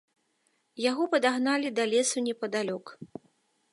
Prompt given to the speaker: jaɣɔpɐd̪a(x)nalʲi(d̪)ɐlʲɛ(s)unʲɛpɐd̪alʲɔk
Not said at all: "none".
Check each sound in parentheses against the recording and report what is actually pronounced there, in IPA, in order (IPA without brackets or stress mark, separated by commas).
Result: ɣ, d̪, s